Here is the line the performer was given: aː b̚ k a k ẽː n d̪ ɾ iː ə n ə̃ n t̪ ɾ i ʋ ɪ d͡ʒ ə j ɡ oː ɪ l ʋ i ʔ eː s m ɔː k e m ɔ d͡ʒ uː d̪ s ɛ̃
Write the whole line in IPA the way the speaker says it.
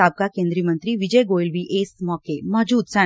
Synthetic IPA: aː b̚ k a k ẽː n d̪ ɾ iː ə m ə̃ n t̪ ɾ i ʋ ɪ d͡ʒ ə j ɡ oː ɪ l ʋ i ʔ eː s m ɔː k e m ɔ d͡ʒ uː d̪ s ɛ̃